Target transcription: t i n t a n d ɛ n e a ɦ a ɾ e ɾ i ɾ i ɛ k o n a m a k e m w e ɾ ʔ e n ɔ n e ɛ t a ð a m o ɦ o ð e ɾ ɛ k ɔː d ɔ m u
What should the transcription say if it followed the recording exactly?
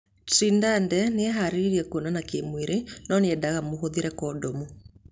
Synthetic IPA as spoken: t i n d a n d ɛ n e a ɦ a ɾ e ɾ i ɾ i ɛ k o n a n a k e m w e ɾ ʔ e n ɔ n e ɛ d a ɣ a m o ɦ o ð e ɾ ɛ k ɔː d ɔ m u